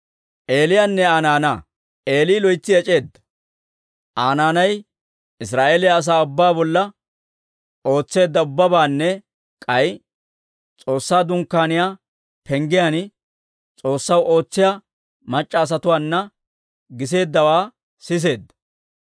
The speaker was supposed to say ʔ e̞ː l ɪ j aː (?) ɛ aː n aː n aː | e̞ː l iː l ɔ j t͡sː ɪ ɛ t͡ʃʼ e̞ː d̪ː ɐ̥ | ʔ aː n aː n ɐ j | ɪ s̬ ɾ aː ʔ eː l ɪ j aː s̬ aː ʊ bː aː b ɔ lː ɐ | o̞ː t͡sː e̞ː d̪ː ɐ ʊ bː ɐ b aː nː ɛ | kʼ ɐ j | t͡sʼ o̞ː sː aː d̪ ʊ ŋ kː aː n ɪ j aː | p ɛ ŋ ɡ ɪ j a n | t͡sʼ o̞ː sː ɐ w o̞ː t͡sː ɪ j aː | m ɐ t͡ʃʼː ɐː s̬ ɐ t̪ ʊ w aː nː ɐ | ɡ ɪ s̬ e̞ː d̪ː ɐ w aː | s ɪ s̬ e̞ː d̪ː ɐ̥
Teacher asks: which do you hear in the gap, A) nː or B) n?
A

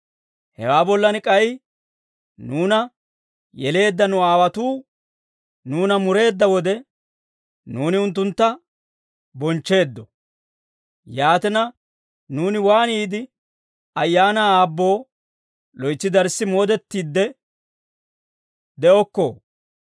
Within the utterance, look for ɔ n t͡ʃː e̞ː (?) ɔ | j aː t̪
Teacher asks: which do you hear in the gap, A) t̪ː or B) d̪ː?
B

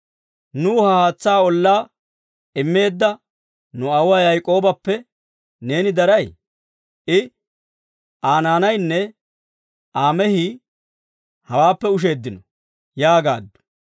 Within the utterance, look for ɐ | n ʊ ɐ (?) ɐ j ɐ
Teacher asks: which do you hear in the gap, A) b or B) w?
B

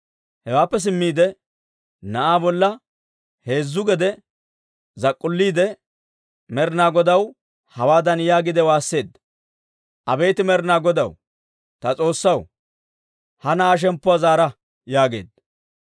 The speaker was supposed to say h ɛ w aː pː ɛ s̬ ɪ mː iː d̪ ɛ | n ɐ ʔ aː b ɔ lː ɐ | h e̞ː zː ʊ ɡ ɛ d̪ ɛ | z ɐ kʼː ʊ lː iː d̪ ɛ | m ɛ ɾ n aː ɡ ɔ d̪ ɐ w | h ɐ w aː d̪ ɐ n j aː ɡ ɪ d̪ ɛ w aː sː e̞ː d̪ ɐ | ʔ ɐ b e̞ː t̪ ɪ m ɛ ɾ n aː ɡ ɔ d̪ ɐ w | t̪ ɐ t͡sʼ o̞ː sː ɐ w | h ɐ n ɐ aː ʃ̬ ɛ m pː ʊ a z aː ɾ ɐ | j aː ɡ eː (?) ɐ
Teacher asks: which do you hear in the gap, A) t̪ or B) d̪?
B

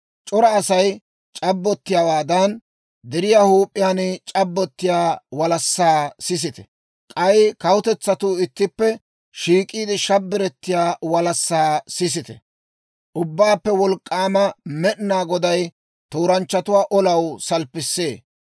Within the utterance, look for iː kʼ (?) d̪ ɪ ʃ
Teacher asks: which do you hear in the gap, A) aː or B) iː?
B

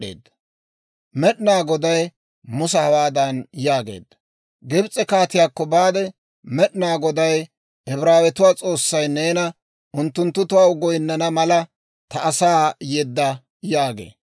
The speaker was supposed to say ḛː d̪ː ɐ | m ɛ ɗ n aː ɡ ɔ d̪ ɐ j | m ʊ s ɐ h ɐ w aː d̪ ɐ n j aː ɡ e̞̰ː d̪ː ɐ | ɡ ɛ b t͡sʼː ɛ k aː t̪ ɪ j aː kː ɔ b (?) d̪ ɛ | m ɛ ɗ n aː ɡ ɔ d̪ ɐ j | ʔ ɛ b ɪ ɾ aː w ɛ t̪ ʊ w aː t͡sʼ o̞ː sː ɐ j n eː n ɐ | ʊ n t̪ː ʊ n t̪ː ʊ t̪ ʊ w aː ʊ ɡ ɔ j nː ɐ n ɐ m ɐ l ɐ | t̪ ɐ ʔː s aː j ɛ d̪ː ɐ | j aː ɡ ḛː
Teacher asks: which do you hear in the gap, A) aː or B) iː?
A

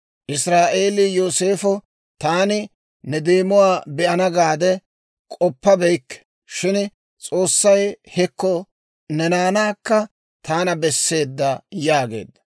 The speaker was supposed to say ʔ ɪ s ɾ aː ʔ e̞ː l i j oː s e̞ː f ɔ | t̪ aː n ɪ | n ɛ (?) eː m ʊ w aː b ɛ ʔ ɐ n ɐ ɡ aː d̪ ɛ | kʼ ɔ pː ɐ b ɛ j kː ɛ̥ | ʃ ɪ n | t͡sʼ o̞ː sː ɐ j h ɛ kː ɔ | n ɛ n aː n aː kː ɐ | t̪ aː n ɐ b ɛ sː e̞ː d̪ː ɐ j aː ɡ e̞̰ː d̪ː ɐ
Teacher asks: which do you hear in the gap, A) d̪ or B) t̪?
A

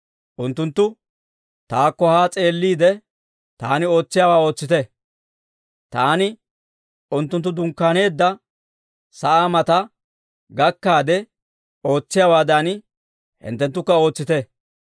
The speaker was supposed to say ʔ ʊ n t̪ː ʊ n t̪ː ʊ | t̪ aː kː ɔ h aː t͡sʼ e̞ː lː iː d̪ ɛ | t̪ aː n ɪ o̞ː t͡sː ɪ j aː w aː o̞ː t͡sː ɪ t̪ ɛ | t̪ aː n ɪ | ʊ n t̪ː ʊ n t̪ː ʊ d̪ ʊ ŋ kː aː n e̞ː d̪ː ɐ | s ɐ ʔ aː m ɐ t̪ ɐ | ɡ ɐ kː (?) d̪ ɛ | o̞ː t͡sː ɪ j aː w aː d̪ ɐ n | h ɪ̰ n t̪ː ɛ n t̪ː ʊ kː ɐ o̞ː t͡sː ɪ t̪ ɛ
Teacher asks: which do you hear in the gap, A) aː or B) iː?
A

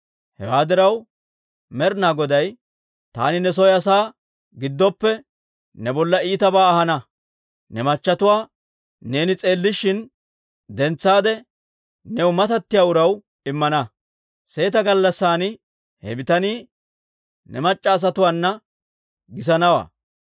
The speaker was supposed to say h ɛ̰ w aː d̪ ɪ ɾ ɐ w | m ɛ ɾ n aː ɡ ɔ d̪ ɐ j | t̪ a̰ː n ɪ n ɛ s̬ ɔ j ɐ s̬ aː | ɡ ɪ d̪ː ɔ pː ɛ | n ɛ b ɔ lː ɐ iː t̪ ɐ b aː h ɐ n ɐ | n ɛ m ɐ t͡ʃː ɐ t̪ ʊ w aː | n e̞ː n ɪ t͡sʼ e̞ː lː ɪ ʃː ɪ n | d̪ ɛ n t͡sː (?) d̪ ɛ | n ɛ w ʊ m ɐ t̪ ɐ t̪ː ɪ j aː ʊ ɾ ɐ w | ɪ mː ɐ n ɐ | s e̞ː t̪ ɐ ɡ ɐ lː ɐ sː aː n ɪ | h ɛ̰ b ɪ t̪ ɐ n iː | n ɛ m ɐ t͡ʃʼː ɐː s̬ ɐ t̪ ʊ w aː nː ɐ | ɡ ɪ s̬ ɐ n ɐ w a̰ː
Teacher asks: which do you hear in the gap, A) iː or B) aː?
B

